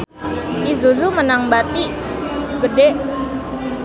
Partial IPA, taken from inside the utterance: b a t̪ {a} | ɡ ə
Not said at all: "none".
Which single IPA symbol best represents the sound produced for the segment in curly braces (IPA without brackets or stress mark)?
i